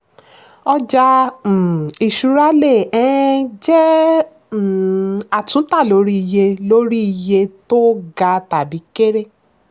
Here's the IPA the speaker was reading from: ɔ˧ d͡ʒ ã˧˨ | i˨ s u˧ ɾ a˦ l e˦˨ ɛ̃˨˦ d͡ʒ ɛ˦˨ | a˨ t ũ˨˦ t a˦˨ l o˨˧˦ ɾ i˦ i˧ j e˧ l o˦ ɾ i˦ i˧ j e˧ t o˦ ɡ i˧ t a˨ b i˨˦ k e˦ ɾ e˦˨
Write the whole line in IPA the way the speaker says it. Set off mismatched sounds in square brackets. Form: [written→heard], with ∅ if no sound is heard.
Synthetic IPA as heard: ɔ˧ d͡ʒ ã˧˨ | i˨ [s→ʃ] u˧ ɾ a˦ l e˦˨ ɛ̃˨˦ d͡ʒ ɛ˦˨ | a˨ t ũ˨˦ t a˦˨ l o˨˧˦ ɾ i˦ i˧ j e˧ l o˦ ɾ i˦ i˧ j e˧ t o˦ ɡ [i˧→a˧] t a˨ b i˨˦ k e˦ ɾ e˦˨